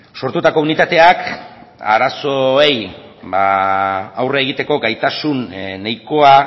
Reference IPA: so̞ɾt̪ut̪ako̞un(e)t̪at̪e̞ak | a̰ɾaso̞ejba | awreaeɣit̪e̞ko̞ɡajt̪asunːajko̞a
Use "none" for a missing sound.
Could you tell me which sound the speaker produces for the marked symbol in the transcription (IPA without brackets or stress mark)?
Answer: i